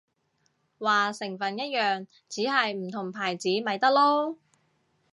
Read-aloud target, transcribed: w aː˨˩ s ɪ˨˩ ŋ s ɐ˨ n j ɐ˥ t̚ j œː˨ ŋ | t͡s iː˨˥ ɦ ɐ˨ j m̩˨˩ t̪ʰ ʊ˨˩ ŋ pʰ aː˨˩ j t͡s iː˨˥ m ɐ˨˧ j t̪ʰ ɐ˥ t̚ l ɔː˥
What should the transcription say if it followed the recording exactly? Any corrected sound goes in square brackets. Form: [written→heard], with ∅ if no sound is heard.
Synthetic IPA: w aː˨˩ s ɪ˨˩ ŋ [s→f] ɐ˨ n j ɐ˥ t̚ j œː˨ ŋ | t͡s iː˨˥ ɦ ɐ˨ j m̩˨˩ t̪ʰ ʊ˨˩ ŋ pʰ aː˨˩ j t͡s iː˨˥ m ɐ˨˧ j [t̪ʰ→t̪] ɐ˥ [t̚→k̚] l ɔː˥